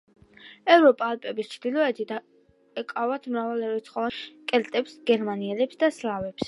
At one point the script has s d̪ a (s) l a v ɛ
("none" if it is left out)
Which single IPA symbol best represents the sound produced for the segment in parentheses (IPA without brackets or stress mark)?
s